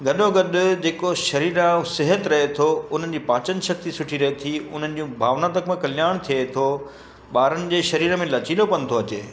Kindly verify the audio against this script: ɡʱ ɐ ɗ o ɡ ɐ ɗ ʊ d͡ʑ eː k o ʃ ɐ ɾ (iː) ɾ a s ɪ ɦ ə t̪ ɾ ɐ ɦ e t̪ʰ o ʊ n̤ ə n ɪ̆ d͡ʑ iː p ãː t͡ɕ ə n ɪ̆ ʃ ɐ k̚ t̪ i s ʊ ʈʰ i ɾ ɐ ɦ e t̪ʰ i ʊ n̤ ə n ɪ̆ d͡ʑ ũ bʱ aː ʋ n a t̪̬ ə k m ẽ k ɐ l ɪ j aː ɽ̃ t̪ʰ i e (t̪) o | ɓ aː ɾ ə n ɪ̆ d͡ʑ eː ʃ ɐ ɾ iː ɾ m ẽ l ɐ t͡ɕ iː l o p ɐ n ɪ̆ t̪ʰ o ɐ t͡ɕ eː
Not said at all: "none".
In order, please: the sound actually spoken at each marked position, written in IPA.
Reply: iː, t̪ʰ

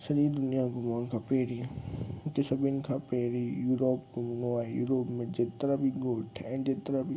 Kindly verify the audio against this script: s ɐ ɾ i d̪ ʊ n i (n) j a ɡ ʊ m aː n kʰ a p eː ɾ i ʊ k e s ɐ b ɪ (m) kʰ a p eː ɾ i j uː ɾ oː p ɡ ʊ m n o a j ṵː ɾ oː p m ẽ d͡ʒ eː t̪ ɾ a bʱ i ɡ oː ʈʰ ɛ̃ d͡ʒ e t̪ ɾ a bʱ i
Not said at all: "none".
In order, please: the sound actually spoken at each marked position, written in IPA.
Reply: none, n

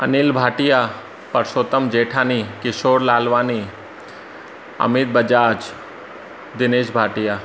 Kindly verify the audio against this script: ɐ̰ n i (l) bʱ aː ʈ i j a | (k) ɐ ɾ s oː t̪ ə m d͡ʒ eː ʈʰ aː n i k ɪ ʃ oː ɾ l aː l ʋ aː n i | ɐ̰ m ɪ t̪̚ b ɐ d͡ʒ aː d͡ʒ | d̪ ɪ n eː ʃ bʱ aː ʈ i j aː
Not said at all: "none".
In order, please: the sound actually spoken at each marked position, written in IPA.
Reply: l, p

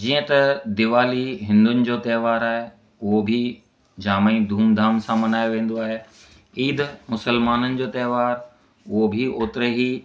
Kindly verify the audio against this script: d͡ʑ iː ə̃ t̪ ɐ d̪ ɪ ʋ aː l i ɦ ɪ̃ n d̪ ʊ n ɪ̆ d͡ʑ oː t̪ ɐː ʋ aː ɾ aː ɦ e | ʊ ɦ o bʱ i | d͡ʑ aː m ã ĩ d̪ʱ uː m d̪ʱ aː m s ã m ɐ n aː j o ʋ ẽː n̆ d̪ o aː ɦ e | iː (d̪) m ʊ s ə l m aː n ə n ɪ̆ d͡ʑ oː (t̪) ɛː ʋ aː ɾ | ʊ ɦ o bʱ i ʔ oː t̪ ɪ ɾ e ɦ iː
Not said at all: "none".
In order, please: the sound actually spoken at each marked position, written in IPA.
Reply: d̪, t̪

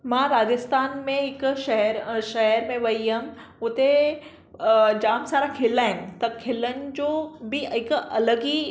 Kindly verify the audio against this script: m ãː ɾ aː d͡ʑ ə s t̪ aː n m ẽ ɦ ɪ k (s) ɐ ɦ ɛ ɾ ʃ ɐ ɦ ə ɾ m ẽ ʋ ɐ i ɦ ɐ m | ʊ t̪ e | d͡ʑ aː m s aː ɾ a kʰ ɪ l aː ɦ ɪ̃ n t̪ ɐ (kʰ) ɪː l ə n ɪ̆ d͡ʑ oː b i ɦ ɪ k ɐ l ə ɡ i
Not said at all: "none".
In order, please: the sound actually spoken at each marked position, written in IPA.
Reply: ʃ, kʰ

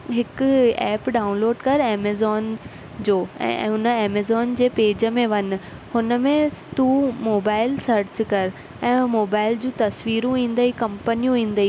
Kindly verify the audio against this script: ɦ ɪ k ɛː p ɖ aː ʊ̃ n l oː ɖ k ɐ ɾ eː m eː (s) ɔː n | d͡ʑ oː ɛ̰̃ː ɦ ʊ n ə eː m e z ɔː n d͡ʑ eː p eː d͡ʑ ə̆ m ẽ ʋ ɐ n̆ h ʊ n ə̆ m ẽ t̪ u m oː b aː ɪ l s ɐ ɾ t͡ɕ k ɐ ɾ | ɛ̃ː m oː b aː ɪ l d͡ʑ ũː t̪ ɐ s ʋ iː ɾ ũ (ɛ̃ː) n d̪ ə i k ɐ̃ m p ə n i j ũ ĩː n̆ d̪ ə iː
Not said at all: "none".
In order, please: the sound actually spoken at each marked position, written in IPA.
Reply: z, ĩː

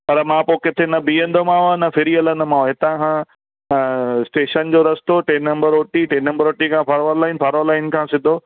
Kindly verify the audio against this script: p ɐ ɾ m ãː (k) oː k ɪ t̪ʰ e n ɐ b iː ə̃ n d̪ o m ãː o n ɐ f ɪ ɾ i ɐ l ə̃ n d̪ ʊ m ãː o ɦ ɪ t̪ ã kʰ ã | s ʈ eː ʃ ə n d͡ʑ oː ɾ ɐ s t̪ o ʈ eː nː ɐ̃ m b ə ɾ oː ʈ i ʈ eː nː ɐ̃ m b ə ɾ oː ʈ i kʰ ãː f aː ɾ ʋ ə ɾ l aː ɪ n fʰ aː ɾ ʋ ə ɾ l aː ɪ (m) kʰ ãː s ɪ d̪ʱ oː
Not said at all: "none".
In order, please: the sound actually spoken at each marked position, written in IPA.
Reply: p, n

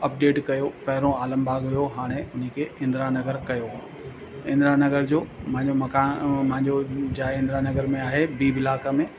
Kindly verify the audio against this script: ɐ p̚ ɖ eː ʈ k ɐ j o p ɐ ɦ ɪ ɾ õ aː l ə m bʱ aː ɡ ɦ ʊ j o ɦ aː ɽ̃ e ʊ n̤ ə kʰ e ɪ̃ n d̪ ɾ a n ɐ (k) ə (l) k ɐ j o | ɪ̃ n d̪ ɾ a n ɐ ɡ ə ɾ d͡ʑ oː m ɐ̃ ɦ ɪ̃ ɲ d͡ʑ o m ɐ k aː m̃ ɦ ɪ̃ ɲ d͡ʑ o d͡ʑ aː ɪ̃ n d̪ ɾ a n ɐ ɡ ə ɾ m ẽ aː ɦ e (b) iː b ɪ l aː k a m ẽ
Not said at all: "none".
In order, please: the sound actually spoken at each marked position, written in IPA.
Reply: ɡ, ɾ, b

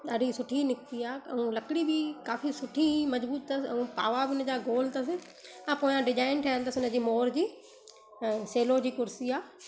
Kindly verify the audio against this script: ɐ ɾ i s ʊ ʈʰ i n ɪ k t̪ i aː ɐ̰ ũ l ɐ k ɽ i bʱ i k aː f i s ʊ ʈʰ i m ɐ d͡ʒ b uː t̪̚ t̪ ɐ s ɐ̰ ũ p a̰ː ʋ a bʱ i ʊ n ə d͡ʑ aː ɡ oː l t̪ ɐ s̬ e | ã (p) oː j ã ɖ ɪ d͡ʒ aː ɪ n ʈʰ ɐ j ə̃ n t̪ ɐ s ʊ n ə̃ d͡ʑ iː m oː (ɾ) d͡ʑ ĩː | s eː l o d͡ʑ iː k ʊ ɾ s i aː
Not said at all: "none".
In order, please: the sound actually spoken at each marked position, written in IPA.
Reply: p, ɾ

